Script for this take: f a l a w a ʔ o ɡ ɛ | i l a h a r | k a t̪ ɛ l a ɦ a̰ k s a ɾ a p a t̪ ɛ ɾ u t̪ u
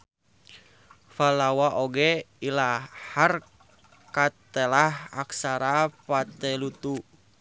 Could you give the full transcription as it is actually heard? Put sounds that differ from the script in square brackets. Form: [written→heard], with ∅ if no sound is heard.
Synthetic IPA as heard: f a l a w a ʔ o ɡ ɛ | i l a h a r | k a t̪ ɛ l a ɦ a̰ k s a ɾ a p a t̪ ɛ [ɾ→l] u t̪ u